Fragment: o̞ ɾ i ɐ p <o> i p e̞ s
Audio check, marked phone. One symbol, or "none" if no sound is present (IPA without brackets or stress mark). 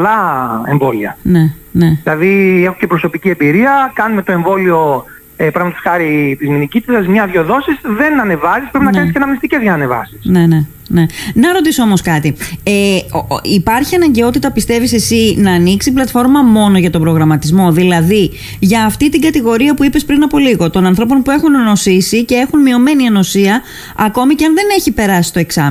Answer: u